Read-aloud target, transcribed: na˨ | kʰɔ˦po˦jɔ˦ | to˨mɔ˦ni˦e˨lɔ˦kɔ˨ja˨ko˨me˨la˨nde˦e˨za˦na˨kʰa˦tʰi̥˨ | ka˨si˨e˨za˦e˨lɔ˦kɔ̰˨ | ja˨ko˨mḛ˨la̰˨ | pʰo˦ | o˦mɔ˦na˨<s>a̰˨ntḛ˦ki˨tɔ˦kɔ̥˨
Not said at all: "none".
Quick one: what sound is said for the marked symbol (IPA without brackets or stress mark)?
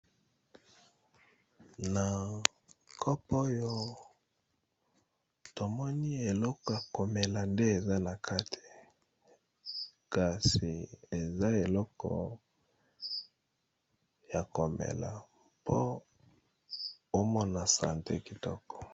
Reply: s